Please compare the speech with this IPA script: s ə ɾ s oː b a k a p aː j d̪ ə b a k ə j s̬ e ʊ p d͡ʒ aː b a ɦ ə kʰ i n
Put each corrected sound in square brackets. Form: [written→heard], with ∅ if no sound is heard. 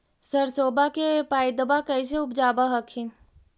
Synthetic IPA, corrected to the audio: s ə ɾ s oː b a k [a→e] p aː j d̪ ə b a k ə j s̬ e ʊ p d͡ʒ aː b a ɦ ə kʰ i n